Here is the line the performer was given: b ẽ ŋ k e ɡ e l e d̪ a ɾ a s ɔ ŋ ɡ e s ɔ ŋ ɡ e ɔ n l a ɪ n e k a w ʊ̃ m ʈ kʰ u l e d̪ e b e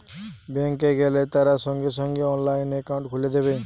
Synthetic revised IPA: b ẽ ŋ k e ɡ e l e t̪ a ɾ a s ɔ ŋ ɡ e s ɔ ŋ ɡ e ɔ n l a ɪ n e k a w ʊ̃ ɳ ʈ kʰ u l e d̪ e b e